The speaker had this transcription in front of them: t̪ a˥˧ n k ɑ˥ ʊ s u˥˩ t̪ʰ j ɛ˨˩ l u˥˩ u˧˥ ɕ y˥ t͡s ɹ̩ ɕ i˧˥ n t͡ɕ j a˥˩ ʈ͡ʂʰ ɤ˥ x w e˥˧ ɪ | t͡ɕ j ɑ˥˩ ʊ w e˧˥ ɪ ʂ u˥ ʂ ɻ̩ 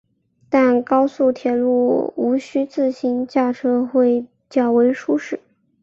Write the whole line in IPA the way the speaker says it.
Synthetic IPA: t̪ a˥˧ n k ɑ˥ ʊ s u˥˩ t̪ʰ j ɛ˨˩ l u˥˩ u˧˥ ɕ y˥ t͡s ɹ̩ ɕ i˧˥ n t͡ɕ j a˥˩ ʈ͡ʂʰ ɤ˥ x w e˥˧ ɪ | t͡ɕ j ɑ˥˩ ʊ w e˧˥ ɪ ʂ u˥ ʂ ɻ̩